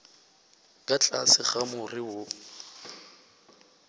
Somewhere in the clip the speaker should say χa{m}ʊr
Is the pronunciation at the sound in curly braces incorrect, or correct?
correct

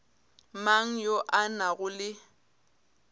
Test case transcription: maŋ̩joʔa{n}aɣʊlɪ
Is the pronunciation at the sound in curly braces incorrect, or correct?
correct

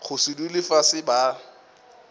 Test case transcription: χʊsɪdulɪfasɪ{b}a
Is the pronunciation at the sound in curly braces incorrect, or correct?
correct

